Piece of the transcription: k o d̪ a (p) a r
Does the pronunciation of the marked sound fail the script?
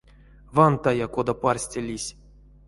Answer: no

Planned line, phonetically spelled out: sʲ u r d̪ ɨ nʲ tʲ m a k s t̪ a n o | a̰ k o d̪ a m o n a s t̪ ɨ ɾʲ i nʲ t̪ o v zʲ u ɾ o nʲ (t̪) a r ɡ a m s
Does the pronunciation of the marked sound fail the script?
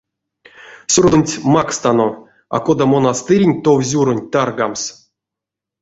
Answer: no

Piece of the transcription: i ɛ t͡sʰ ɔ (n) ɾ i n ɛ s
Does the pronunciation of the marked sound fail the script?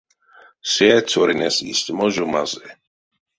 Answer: yes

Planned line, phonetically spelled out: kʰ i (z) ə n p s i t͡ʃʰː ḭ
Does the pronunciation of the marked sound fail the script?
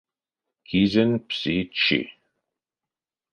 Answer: no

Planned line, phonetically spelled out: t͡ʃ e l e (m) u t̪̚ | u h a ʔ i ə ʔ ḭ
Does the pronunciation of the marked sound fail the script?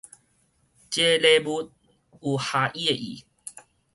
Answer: yes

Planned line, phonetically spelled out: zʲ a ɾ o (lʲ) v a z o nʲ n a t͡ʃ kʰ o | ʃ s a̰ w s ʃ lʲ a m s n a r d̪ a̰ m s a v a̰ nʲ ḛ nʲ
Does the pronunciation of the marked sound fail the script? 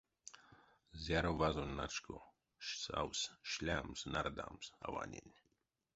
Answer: yes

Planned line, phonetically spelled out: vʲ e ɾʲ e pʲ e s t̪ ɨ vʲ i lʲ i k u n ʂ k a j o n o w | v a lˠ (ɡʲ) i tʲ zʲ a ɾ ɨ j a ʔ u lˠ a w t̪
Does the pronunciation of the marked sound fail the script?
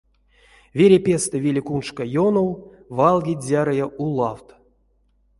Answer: no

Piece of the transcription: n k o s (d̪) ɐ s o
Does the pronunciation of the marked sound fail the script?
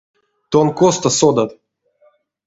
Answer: yes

